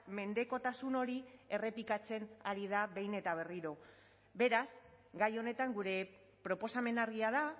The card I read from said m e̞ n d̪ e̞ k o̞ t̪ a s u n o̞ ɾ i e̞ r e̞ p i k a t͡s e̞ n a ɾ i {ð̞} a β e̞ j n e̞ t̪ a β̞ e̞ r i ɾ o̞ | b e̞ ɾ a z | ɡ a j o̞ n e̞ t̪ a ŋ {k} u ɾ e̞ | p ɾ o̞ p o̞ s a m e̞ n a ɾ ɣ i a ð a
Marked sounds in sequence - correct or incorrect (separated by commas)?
correct, incorrect